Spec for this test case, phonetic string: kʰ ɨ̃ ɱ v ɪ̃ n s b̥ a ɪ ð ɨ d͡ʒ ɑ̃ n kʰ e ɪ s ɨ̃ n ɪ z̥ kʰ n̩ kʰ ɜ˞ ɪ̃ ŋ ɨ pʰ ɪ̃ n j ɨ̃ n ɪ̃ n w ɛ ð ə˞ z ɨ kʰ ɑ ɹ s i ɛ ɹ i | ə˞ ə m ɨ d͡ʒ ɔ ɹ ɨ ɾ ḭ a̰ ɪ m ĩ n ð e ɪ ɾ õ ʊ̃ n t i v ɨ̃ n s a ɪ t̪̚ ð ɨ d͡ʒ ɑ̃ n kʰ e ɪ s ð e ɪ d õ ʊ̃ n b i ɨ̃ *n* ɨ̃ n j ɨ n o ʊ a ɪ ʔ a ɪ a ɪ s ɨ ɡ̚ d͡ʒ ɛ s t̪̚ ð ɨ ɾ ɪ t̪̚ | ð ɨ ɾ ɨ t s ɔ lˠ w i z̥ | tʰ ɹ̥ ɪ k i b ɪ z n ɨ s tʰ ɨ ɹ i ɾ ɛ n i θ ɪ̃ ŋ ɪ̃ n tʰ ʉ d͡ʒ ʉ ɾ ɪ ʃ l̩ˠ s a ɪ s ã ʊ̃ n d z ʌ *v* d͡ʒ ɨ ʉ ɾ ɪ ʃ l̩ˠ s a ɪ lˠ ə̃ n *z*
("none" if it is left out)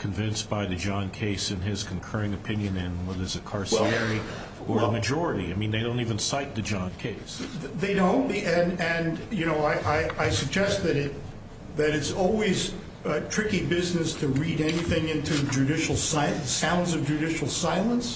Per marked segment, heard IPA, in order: n, v, s

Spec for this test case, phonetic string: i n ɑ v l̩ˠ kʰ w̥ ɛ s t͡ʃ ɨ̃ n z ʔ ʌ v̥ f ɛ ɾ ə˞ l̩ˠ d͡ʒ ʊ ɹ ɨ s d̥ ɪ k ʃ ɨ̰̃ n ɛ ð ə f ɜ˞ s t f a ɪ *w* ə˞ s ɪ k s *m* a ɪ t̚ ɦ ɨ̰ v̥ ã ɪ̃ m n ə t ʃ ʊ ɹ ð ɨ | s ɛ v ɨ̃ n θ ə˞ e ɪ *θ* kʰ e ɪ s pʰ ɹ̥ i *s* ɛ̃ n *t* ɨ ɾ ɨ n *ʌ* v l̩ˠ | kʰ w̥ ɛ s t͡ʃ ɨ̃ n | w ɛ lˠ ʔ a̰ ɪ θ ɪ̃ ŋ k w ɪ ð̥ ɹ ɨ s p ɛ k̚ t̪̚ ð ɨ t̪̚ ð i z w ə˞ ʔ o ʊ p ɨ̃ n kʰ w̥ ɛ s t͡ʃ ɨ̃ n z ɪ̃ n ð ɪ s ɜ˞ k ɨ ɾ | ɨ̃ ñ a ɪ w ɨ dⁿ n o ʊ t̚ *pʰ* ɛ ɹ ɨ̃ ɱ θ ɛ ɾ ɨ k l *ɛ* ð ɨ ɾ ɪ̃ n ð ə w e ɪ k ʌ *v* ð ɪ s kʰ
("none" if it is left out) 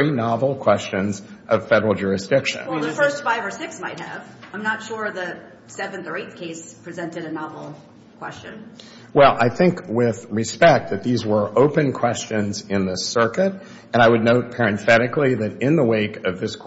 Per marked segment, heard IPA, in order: v, m, θ, z, t, ɑ, pʰ, i, v

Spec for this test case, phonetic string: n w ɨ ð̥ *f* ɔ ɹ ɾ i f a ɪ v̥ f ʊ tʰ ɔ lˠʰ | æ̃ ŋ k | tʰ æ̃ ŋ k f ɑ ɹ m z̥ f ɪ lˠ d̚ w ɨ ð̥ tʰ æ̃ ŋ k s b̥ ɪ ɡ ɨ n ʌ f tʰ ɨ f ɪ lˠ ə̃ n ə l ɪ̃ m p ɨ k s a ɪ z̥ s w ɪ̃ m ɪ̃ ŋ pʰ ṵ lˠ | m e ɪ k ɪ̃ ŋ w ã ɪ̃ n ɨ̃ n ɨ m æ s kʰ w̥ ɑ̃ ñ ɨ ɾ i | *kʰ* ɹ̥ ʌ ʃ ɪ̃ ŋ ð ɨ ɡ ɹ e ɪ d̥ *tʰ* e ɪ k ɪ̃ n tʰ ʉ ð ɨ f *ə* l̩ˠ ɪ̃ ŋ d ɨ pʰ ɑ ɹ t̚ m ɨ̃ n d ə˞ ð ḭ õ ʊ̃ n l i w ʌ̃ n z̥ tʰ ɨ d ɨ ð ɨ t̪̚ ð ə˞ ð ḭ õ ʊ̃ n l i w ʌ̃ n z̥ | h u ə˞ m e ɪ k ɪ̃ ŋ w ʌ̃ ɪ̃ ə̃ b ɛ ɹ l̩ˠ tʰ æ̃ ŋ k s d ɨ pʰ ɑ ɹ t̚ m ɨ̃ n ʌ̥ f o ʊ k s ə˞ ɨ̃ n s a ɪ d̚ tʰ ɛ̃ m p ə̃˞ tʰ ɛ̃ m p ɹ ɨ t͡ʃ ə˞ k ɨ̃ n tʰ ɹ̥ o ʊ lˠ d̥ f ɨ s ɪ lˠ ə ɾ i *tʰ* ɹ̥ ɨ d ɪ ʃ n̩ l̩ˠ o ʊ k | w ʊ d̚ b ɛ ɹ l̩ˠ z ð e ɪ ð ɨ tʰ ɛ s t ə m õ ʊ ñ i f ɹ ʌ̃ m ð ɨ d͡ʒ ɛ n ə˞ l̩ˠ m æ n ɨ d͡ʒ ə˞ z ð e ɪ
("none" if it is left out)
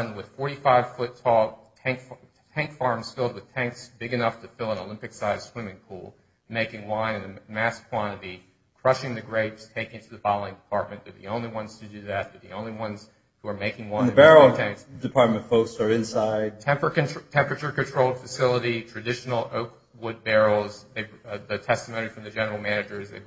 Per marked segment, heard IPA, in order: f, kʰ, tʰ, ɑ, tʰ

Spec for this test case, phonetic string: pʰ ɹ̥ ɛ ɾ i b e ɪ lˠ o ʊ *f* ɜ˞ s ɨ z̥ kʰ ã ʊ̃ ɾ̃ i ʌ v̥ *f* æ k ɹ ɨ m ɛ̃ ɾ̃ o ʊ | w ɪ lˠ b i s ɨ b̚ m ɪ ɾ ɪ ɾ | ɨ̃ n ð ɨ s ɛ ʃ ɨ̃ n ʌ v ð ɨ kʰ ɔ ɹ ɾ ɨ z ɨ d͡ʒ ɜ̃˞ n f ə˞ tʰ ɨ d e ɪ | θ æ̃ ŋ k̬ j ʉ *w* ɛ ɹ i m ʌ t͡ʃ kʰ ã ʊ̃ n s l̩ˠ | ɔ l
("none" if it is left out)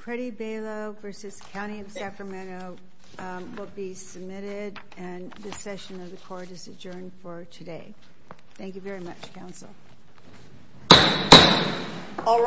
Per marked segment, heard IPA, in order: v, s, v

